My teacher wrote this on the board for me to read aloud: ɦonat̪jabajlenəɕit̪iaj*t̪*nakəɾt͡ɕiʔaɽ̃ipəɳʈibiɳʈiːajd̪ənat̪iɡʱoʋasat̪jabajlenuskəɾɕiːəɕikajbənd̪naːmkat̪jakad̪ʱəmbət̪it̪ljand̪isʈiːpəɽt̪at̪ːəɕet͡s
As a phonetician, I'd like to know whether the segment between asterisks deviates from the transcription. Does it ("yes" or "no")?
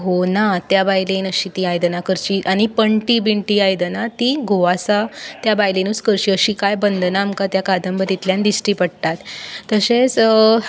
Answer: yes